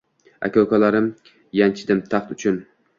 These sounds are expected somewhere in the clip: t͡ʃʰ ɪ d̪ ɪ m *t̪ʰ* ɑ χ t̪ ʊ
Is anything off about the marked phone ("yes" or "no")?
no